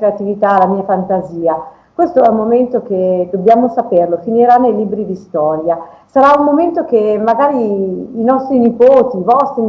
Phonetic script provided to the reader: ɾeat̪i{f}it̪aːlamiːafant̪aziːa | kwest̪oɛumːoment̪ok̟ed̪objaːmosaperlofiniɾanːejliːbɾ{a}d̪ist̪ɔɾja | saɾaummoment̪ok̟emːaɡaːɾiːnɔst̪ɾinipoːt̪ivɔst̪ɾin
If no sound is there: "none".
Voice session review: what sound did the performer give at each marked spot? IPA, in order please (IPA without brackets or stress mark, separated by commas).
v, i